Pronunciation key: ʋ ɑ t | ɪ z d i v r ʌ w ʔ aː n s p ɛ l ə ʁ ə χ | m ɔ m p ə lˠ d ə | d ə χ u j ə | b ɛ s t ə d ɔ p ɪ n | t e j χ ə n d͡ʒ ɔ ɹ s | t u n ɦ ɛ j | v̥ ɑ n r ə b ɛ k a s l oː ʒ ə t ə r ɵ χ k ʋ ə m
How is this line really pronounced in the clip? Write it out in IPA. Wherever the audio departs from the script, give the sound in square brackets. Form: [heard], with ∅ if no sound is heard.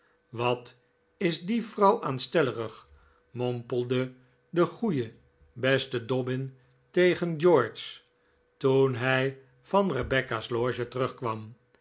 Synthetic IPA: ʋ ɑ t | ɪ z d i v r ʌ w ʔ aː n s [t] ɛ l ə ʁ ə χ | m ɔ m p ə lˠ d ə | d ə χ u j ə | b ɛ s t ə d ɔ [b] ɪ n | t e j χ ə n d͡ʒ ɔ ɹ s | t u n ɦ ɛ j | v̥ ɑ n r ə b ɛ k a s l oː ʒ ə t ə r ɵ χ k ʋ [ɑ] m